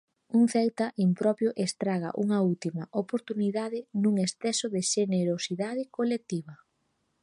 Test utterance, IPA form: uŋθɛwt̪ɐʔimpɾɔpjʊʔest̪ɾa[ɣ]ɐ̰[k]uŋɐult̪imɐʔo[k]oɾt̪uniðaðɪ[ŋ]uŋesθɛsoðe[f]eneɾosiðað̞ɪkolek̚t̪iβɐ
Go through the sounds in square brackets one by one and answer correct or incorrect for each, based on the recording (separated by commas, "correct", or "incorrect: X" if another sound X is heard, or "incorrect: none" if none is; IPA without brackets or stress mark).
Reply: correct, incorrect: ʔ, incorrect: p, incorrect: n, incorrect: ʃ